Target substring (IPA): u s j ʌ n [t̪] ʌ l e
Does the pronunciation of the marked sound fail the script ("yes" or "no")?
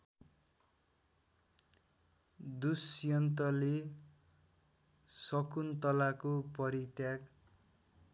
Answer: no